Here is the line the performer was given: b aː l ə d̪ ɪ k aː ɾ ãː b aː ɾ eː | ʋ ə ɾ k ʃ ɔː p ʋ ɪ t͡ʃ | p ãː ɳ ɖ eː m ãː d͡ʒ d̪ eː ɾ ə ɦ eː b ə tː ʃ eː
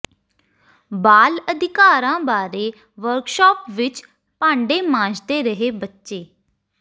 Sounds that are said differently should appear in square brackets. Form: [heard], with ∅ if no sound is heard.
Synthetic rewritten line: b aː l ə d̪ ɪ k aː ɾ ãː b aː ɾ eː | ʋ ə ɾ k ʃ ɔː p ʋ ɪ t͡ʃ | p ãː ɳ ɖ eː m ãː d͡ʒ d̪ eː ɾ ə ɦ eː b ə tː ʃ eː